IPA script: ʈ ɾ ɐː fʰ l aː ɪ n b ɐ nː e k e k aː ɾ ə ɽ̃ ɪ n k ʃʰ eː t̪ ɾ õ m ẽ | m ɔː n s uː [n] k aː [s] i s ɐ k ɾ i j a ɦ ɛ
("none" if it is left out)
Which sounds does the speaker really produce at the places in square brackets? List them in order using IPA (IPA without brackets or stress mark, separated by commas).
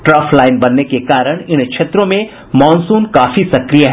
n, f